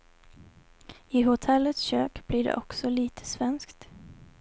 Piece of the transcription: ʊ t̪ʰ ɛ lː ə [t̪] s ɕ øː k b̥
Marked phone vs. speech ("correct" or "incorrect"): correct